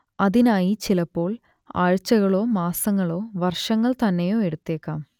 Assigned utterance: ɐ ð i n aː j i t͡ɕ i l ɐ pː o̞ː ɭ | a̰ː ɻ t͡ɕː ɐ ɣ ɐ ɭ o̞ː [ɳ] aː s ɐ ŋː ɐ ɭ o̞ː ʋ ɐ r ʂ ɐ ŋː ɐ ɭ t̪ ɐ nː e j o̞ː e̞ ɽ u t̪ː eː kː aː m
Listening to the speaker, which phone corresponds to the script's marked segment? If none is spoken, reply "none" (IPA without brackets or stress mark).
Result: m